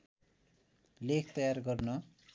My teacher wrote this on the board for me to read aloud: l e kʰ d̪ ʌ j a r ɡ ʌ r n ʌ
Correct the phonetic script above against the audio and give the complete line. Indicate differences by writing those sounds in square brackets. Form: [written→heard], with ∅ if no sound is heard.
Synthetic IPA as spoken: l e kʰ [d̪→t̪] ʌ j a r ɡ ʌ r n ʌ